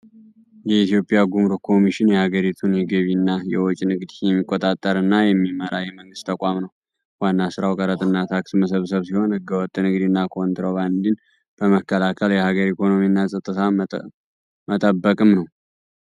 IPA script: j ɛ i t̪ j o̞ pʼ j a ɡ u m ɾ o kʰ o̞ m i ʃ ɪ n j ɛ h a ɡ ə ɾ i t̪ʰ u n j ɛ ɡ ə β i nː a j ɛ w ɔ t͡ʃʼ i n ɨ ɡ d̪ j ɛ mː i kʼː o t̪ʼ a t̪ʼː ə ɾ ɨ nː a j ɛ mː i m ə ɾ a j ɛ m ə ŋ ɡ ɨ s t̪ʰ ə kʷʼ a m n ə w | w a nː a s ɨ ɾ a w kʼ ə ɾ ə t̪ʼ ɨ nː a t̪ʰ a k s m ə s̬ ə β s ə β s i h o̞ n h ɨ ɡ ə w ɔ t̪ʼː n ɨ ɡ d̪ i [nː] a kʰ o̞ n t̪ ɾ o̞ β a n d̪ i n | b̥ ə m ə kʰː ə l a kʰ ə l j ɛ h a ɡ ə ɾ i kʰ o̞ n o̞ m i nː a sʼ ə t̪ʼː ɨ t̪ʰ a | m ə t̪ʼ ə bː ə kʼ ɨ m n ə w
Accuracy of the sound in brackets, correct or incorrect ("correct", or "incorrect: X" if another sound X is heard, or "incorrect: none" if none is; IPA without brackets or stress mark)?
correct